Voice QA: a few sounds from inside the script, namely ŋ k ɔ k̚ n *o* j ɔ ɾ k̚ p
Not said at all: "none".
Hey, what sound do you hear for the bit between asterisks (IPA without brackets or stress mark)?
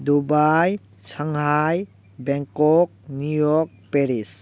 u